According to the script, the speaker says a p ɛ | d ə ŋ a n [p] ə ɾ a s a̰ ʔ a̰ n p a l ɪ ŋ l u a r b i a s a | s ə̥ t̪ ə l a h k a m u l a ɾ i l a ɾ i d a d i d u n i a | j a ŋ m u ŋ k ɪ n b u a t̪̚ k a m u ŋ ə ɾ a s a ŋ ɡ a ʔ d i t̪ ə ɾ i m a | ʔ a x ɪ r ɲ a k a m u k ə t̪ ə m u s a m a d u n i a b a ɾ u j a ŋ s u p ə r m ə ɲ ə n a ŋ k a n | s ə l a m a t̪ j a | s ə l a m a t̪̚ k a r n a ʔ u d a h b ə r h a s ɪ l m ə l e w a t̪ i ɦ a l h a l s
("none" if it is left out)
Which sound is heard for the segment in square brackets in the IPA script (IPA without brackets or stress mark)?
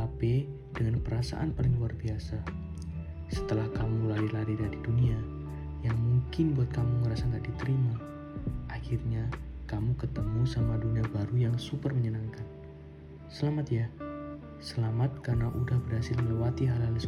p